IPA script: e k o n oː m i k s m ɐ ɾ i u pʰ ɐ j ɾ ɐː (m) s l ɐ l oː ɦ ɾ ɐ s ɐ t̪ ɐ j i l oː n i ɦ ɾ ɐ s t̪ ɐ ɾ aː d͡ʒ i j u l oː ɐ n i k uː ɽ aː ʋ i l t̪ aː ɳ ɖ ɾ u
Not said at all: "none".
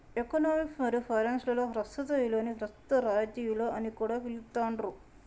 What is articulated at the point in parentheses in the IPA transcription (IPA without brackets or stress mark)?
n